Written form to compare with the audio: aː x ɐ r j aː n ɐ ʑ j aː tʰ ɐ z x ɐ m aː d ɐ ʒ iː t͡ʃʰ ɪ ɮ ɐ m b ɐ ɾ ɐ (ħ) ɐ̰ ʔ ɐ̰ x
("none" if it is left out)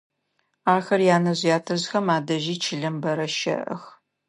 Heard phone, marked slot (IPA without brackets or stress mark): ʃ